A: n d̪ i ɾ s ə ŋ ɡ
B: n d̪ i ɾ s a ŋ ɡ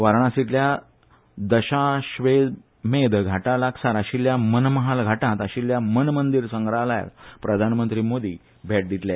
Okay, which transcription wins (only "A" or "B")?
A